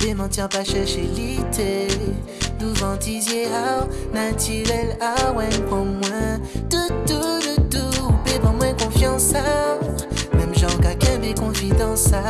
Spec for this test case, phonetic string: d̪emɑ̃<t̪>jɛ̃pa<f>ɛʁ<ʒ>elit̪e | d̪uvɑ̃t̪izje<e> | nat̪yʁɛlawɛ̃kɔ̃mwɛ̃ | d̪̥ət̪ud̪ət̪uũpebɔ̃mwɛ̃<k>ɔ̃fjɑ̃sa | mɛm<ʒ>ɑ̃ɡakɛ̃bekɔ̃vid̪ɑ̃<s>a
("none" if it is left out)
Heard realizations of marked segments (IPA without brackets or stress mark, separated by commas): t̪, ʃ, ʃ, a, k, ʒ, s